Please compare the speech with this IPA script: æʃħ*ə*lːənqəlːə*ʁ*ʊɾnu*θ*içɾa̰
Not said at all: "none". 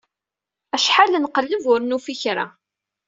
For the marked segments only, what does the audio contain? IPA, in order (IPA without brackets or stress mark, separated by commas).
a, v, f